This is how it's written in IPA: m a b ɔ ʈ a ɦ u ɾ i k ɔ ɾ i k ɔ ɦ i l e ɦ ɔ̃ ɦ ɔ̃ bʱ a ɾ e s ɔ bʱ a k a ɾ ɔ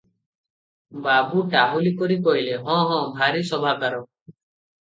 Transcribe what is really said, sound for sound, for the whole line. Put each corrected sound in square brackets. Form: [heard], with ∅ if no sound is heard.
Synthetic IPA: [b] a b [u] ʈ a ɦ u [l] i k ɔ ɾ i k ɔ ɦ i l e ɦ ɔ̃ ɦ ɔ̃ bʱ a ɾ [i] s ɔ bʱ a k a ɾ ɔ